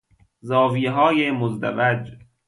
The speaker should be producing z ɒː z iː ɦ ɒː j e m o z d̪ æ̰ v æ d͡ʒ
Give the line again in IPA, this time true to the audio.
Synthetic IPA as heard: z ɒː v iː ɦ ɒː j e m o z d̪ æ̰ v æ d͡ʒ